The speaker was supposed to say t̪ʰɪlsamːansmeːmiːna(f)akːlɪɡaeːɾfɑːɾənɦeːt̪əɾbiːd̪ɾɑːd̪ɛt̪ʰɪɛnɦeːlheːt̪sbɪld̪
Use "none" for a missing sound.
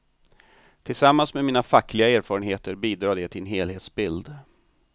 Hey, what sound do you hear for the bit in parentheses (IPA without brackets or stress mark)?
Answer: f